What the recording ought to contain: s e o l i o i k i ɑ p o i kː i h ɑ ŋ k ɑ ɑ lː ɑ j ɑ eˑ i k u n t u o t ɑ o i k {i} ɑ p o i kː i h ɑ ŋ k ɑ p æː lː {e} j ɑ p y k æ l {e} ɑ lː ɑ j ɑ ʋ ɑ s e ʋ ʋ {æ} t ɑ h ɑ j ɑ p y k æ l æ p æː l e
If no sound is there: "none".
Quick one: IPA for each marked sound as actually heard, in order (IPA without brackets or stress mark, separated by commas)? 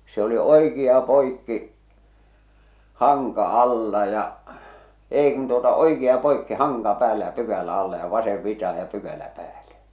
i, æ, æ, i